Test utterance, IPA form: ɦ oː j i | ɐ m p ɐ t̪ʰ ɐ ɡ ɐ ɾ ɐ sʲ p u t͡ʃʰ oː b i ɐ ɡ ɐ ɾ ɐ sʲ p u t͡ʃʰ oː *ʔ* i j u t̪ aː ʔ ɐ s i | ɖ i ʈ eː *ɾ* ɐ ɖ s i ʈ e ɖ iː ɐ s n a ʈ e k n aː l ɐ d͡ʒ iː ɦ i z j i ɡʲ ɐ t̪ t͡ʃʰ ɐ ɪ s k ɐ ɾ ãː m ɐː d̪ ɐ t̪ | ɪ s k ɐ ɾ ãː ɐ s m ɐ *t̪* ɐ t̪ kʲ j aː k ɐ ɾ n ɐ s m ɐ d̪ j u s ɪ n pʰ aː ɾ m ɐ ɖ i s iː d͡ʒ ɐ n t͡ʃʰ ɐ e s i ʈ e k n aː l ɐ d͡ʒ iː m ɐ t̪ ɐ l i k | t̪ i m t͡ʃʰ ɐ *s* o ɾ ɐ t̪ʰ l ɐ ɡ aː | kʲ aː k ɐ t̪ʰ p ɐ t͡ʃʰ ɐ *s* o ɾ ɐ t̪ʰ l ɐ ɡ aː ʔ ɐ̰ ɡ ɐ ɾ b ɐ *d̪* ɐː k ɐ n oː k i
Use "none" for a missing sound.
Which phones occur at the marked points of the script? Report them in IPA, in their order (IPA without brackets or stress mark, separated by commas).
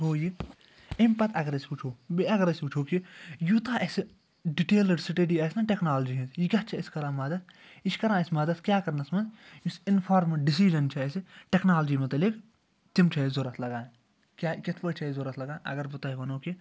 k, l, d̪, z, z, t̪